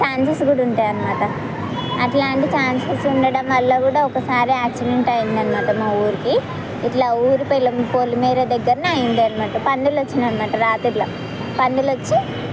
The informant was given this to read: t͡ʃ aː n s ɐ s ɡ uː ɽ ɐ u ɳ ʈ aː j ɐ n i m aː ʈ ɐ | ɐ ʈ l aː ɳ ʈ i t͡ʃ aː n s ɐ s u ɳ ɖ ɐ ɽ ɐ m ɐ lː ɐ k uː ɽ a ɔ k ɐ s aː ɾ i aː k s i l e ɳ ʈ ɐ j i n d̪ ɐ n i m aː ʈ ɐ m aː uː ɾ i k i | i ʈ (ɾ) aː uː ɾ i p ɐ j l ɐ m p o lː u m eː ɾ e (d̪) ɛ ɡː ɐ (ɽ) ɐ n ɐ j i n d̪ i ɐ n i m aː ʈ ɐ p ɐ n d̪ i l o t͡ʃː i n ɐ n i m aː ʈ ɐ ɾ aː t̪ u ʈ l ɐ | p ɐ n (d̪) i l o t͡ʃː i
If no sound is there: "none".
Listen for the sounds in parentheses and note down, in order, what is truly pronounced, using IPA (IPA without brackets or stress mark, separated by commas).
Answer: l, d̪, ɾ, d̪